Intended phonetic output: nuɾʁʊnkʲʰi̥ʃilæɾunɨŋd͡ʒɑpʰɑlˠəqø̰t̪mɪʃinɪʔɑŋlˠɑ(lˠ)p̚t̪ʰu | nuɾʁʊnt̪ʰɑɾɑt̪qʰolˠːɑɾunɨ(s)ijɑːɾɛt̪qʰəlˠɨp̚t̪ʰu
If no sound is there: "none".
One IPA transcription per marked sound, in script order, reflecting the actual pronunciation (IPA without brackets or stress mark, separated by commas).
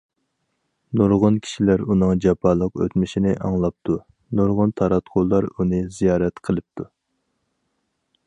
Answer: none, z